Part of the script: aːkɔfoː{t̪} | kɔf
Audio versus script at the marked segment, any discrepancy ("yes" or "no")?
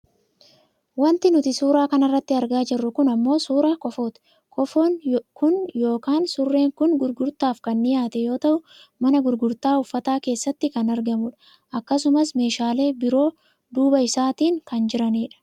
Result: no